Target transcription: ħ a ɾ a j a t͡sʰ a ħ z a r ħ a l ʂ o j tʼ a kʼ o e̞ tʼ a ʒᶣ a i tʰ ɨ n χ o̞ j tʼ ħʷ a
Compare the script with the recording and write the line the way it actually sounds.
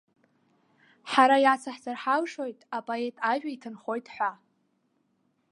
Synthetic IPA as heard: ħ a ɾ a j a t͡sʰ a ħ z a r ħ a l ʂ o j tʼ a pʼ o e̞ tʼ a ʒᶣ a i tʰ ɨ n χ o̞ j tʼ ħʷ a